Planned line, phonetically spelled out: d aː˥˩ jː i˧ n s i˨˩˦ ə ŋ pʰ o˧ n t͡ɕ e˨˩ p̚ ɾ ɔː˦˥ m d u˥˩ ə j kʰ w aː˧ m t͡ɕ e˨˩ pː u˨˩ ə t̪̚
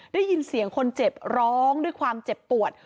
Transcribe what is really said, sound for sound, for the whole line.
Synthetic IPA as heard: d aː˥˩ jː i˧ n s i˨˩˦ ə ŋ kʰ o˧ n t͡ɕ e˨˩ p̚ ɾ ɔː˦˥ ŋ d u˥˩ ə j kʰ w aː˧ m t͡ɕ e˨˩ pː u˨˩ ə t̪̚